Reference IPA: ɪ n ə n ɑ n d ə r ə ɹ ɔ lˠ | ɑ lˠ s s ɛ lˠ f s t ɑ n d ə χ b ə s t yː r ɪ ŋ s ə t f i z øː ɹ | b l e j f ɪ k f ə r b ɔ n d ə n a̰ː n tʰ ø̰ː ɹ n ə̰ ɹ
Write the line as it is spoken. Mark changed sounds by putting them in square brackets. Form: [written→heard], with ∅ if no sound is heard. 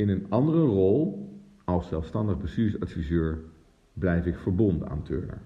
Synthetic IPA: ɪ n ə n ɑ n d ə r ə [ɹ→r] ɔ lˠ | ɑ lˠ s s ɛ lˠ f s t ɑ n d ə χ b ə s t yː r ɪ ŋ s [ə→ɑ] t f i z øː ɹ | b l [e→ɛ] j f ɪ k f ə [r→ɹ] b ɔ n d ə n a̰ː n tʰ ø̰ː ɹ n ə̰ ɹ